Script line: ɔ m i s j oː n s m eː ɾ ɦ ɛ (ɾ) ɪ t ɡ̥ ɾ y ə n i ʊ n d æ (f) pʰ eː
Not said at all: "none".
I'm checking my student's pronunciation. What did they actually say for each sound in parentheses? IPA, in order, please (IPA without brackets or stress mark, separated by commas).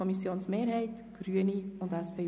none, s